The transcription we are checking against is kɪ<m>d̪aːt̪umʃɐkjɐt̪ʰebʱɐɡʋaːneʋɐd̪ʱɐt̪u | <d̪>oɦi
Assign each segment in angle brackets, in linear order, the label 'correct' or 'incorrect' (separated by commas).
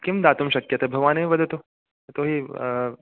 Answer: correct, incorrect